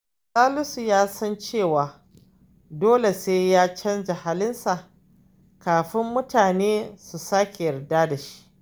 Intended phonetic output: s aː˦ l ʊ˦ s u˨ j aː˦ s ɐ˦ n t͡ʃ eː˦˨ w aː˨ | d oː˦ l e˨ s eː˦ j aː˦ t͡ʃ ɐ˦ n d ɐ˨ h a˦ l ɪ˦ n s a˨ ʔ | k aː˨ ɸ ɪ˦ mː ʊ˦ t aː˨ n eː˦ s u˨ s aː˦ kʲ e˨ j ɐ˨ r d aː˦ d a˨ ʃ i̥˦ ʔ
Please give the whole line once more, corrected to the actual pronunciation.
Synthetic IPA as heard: s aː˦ l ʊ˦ s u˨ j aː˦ s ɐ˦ n t͡ʃ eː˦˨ w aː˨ | d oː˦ l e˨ s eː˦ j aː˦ t͡ʃ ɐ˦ n d͡ʒ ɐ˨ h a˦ l ɪ˦ n s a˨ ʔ | k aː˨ ɸ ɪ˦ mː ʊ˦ t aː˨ n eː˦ s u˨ s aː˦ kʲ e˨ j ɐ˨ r d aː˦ d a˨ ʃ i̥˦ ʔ